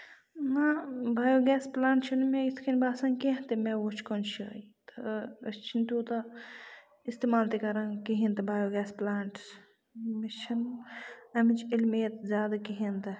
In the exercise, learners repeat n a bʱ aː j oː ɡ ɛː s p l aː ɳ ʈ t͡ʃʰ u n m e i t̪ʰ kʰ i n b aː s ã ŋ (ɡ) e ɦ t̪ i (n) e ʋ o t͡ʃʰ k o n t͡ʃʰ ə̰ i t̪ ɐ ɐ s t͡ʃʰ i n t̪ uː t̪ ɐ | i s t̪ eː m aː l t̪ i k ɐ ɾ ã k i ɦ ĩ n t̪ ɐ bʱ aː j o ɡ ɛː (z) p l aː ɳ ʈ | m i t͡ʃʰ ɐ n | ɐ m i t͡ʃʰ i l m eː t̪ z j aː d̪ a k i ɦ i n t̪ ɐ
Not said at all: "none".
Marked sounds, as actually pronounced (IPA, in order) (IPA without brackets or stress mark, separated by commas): k, m, s